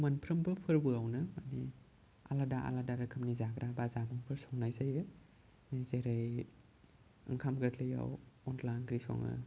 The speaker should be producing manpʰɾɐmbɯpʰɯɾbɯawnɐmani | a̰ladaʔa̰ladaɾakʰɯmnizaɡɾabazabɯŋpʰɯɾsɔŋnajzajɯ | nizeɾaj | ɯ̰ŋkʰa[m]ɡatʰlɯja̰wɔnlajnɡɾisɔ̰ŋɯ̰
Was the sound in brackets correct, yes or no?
yes